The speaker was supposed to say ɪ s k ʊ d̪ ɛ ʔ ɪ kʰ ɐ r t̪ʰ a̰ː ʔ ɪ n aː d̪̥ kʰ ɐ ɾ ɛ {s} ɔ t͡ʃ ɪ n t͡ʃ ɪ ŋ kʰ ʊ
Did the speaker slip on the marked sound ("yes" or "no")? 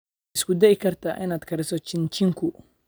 no